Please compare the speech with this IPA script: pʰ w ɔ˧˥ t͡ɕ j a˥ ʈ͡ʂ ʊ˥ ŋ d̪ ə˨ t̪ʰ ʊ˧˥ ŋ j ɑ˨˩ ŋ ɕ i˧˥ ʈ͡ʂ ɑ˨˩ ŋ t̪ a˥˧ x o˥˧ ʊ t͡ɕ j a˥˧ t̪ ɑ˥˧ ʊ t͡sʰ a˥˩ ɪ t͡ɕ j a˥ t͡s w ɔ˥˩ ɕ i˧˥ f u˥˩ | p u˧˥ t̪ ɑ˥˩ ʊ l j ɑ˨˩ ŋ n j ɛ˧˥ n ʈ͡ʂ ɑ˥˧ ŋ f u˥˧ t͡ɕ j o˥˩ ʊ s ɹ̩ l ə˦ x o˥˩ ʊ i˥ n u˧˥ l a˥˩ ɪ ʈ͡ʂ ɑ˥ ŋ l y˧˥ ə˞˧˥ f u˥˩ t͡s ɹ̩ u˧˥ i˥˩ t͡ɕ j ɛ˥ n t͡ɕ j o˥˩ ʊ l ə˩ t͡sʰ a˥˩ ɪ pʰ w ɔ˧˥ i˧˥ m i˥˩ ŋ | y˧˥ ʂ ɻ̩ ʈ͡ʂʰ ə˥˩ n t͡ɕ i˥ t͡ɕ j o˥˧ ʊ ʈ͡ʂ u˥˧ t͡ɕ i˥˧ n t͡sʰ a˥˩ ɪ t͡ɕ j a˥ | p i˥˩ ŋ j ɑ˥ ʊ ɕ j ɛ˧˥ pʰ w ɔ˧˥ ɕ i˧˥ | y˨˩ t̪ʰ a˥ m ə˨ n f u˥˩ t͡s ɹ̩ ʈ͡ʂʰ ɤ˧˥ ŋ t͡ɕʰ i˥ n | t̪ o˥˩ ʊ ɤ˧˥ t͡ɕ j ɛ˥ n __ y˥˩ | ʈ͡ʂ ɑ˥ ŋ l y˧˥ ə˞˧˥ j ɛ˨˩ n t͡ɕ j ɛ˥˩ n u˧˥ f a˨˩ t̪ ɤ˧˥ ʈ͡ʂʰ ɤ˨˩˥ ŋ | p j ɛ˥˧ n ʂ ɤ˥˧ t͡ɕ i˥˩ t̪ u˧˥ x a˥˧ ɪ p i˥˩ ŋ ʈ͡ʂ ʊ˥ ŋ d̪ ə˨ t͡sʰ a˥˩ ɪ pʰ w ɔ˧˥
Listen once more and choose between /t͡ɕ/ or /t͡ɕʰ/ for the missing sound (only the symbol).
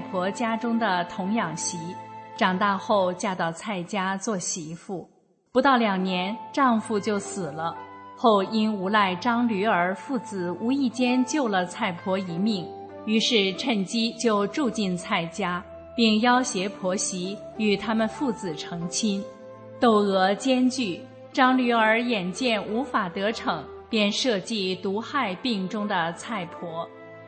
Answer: t͡ɕ